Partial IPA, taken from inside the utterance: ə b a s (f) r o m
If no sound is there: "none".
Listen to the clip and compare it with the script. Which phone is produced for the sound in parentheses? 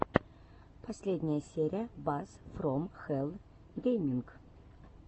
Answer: f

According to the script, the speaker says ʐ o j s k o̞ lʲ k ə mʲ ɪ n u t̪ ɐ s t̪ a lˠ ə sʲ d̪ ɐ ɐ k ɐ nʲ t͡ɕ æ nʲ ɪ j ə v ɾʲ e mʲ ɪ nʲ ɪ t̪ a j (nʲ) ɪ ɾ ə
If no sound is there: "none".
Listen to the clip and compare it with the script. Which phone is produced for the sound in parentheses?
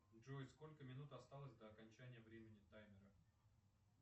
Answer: mʲ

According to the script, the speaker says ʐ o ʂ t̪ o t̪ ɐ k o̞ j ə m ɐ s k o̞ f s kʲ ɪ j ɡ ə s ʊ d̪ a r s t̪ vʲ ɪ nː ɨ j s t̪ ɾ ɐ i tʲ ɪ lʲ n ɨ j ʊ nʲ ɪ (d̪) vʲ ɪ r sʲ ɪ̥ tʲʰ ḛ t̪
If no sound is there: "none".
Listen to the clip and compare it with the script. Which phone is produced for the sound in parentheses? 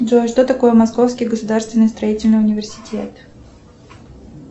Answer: none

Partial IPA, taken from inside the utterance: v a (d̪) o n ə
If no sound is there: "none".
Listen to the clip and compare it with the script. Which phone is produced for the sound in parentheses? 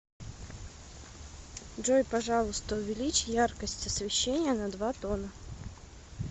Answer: t̪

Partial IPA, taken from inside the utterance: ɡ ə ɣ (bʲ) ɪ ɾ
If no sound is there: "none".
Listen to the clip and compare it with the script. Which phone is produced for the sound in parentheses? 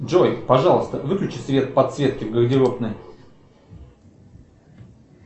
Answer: dʲ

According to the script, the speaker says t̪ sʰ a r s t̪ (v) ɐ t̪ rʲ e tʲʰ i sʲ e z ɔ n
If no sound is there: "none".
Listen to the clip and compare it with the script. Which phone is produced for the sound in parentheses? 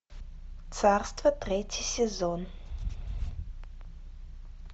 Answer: v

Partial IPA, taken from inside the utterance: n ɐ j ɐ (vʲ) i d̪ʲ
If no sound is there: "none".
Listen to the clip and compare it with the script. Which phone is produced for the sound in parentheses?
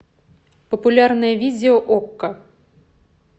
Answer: vʲ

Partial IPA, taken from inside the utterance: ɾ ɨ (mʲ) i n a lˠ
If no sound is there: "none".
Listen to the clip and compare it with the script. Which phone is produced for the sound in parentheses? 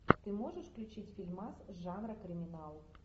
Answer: mʲ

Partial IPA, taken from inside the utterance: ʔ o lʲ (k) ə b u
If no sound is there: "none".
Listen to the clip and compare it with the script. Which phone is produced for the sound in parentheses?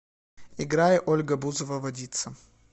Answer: ɡ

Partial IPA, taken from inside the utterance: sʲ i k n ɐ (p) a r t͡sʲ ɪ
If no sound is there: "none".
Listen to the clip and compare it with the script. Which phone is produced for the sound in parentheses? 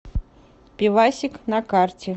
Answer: k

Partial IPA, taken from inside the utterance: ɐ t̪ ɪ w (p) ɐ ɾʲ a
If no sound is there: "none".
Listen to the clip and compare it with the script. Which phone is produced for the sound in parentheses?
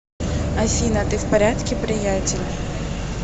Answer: p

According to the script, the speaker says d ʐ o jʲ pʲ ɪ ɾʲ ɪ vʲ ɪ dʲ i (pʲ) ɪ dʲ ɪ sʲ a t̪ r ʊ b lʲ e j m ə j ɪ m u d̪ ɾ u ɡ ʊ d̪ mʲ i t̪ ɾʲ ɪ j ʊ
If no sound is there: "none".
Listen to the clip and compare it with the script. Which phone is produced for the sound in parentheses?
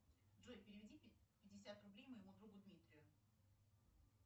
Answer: pʲ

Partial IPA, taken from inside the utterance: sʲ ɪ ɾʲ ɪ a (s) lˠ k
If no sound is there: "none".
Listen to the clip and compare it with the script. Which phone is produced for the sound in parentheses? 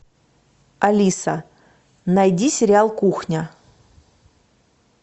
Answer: none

